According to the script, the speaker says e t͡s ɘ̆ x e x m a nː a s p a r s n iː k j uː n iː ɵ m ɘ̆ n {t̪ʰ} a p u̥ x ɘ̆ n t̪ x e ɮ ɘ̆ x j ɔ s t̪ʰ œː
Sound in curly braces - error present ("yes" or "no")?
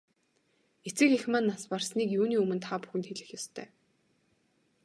no